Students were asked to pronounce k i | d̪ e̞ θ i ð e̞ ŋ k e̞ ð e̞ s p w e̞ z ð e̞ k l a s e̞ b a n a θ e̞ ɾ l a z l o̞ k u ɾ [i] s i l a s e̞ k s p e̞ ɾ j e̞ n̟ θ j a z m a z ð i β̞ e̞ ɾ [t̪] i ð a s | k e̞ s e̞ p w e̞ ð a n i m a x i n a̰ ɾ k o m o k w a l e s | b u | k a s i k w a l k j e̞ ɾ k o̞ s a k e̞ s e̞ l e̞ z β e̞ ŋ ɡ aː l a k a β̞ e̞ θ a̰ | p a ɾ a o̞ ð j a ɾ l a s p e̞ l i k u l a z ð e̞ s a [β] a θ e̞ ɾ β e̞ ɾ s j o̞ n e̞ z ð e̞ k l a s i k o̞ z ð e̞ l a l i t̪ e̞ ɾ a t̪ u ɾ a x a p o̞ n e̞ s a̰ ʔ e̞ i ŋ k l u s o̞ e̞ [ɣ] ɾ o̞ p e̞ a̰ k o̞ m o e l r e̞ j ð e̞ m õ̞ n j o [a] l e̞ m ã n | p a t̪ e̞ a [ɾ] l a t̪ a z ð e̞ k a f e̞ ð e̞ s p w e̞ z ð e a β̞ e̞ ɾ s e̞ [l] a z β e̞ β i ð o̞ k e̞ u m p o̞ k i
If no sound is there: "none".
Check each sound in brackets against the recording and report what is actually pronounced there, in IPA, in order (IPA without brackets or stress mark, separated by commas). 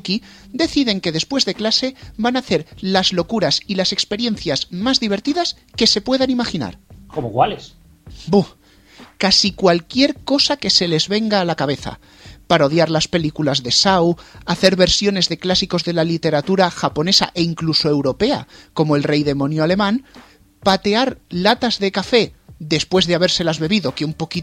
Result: a, t̪, w, w, a, ɾ, l